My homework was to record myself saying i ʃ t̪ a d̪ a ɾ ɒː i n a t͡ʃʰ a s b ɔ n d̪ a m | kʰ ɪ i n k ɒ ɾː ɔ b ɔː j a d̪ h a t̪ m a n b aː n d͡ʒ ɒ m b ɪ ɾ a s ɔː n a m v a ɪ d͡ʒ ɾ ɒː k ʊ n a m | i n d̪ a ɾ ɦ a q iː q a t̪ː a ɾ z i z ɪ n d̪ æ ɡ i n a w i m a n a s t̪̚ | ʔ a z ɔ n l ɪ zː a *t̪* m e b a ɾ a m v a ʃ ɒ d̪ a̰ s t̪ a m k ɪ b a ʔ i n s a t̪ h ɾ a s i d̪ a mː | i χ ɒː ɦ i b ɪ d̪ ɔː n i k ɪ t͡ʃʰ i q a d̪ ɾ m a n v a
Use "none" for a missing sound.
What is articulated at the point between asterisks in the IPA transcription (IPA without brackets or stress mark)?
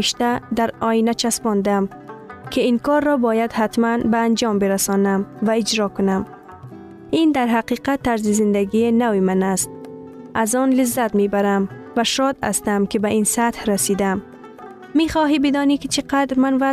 t̪